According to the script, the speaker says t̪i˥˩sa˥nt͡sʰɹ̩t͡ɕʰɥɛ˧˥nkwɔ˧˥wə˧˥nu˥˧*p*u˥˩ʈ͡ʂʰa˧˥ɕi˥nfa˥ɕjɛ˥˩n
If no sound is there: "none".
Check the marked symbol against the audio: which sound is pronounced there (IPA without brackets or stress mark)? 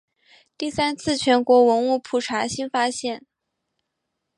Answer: pʰ